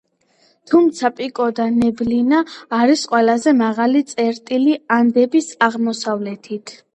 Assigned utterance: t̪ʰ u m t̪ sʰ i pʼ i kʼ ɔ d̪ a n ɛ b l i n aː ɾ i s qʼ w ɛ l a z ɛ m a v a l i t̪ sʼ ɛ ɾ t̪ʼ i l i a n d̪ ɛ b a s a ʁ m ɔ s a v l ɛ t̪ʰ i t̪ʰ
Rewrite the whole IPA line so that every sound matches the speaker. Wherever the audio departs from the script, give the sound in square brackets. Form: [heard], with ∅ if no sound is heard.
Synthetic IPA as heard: t̪ʰ u m t̪ sʰ [a] pʼ i kʼ ɔ d̪ a n ɛ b l i n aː ɾ i s qʼ w ɛ l a z ɛ m a [ʁ] a l i t̪ sʼ ɛ ɾ t̪ʼ i l i a n d̪ ɛ b [i] s a ʁ m ɔ s a v l ɛ t̪ʰ i t̪ʰ

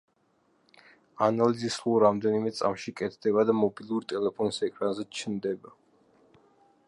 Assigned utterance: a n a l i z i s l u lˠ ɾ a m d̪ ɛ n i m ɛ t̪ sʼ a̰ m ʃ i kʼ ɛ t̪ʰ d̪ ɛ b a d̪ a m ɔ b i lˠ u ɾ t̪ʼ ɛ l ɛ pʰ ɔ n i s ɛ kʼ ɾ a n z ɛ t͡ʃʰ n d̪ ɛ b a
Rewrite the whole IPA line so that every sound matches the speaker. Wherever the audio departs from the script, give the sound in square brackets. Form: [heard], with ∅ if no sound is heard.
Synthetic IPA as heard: a n a l i z i s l u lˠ ɾ a m d̪ ɛ n i m ɛ t̪ sʼ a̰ m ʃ i kʼ ɛ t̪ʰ d̪ ɛ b a d̪ a m ɔ b i lˠ u ɾ t̪ʼ ɛ l ɛ pʰ ɔ n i s ɛ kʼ ɾ a n z ɛ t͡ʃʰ n d̪ ɛ b a

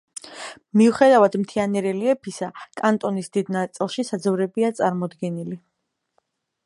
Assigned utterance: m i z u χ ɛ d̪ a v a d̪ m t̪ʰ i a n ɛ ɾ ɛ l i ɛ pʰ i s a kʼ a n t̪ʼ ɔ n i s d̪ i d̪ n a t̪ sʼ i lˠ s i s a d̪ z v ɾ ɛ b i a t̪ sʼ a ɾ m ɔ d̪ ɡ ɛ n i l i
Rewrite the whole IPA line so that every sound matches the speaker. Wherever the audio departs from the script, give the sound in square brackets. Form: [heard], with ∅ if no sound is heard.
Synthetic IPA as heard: m i [∅] u χ ɛ d̪ a v a d̪ m t̪ʰ i a n ɛ ɾ ɛ l i ɛ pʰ i s a kʼ a n t̪ʼ ɔ n i s d̪ i d̪ n a t̪ sʼ i lˠ [ʃ] i s a d̪ z v ɾ ɛ b i a t̪ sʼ a ɾ m ɔ d̪ ɡ ɛ n i l i

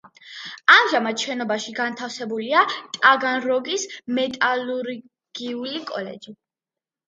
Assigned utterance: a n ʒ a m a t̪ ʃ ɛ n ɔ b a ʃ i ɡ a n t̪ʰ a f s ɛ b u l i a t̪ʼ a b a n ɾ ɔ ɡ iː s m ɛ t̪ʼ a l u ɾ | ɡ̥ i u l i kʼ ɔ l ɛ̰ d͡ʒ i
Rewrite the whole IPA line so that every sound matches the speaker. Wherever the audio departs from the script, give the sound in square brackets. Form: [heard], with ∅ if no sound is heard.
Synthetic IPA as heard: a [m] ʒ a m a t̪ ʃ ɛ n ɔ b a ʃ i ɡ a n t̪ʰ a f s ɛ b u l i a t̪ʼ a [ɡ] a n ɾ ɔ ɡ [i] s m ɛ t̪ʼ a l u ɾ | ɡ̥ i u l i kʼ ɔ l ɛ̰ d͡ʒ i

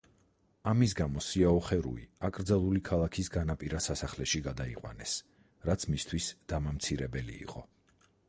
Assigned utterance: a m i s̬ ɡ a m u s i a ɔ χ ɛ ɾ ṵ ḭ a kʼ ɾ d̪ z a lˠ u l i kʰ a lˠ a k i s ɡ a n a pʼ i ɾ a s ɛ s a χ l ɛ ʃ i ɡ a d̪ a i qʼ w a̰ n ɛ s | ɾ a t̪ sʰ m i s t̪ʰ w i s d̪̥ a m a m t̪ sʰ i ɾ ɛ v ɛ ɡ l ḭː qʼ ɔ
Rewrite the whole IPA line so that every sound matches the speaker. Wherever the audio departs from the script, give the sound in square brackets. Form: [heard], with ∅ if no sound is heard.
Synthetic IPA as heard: a m i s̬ ɡ a m [ɔ] s i a ɔ χ ɛ ɾ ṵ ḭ a kʼ ɾ d̪ z a lˠ u l i kʰ a lˠ a [kʰ] i s ɡ a n a pʼ i ɾ a s [a] s a χ l ɛ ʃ i ɡ a d̪ a i qʼ w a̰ n ɛ s | ɾ a t̪ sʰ m i s t̪ʰ w i s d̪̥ a m a m t̪ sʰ i ɾ ɛ [b] ɛ [∅] l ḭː qʼ ɔ

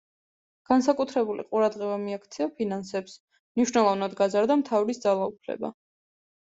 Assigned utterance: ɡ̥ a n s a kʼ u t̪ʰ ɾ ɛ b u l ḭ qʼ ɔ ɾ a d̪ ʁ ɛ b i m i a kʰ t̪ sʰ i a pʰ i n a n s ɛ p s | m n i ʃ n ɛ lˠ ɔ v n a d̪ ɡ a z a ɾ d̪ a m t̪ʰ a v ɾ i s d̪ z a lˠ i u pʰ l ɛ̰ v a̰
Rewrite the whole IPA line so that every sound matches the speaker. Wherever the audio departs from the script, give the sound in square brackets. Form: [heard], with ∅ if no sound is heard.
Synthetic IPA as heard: ɡ̥ a n s a kʼ u t̪ʰ ɾ ɛ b u l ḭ qʼ [u] ɾ a d̪ ʁ ɛ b [a] m i a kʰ t̪ sʰ i a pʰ i n a n s ɛ p s | m n i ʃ n ɛ lˠ ɔ v n a d̪ ɡ a z a ɾ d̪ a m t̪ʰ a v ɾ i s d̪ z a lˠ [a] u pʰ l ɛ̰ [b] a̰

